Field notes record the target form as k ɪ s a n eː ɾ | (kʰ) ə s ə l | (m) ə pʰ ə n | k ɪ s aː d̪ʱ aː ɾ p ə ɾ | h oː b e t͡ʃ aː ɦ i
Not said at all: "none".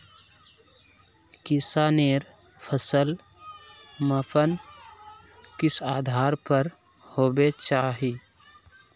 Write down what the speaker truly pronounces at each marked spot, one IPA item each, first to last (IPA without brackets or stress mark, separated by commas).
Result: pʰ, m